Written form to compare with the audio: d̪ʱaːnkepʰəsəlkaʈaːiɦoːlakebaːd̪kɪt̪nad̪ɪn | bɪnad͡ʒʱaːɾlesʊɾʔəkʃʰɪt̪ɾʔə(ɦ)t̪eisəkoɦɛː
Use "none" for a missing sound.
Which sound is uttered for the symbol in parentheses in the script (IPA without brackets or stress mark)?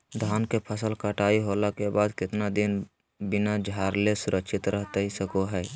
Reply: ɦ